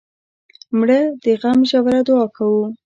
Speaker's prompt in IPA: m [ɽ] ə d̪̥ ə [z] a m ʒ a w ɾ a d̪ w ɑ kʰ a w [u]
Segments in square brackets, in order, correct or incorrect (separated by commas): correct, incorrect, correct